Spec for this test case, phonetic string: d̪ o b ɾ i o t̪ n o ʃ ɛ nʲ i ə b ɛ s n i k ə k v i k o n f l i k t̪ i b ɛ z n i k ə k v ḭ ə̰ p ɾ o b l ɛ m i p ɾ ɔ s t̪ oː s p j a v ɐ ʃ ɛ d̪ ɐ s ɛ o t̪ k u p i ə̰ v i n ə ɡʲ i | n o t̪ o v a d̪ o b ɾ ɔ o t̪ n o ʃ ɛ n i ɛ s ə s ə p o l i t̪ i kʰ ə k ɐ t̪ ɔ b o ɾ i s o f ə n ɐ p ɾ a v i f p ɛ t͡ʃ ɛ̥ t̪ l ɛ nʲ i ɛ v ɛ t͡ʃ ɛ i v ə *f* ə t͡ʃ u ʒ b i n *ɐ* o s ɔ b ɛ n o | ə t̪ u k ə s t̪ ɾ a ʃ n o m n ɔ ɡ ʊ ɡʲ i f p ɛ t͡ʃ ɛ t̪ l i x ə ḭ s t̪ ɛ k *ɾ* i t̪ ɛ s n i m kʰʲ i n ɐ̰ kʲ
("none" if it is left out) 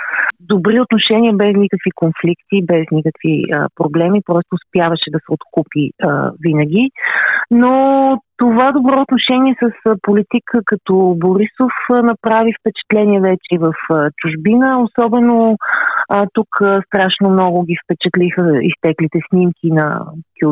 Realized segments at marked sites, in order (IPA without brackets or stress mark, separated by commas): f, ə, l